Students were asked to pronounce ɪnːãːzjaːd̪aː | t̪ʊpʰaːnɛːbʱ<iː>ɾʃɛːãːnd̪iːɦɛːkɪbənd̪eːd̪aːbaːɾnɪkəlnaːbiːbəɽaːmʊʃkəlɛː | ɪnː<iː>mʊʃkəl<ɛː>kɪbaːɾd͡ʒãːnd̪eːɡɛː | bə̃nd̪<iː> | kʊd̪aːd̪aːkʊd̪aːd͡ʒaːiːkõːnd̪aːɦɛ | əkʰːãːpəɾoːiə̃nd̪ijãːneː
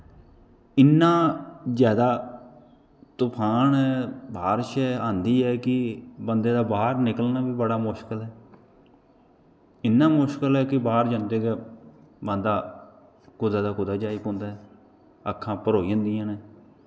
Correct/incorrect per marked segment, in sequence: incorrect: aː, incorrect: aː, correct, incorrect: aː

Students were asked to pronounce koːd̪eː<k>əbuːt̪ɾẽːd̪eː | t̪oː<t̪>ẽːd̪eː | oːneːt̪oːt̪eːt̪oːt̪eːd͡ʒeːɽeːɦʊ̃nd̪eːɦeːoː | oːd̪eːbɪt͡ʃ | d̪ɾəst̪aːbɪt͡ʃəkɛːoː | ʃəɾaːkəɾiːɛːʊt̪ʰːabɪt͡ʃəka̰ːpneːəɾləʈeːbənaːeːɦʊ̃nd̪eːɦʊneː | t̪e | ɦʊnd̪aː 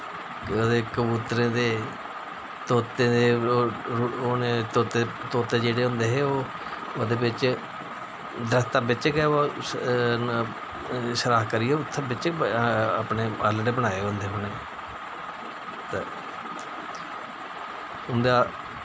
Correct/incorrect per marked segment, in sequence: correct, correct

